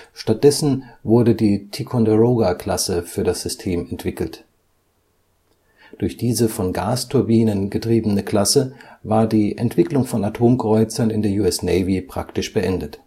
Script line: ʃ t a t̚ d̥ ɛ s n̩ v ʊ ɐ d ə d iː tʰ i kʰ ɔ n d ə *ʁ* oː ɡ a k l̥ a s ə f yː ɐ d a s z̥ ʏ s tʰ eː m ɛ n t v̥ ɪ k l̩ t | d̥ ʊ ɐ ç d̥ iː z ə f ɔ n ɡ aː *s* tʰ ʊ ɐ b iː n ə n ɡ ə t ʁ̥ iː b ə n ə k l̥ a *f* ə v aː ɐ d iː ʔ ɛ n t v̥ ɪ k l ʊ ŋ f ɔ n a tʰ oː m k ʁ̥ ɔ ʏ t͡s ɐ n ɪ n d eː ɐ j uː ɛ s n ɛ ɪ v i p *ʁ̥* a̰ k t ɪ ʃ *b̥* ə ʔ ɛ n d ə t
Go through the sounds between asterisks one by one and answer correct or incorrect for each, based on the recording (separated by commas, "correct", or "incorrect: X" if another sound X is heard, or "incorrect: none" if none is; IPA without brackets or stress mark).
correct, correct, incorrect: s, correct, correct